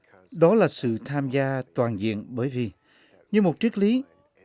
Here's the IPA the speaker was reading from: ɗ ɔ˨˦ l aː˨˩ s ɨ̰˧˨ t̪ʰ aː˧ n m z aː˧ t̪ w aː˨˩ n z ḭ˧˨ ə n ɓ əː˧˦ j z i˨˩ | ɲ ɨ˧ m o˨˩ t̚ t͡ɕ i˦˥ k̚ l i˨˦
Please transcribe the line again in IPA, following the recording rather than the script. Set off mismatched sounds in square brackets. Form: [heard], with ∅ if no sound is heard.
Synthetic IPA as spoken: ɗ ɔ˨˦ l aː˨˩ s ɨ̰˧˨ t̪ʰ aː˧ [∅] m z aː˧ t̪ w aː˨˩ n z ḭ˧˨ ə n ɓ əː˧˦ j [v] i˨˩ | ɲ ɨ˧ m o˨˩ t̚ t͡ɕ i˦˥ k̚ l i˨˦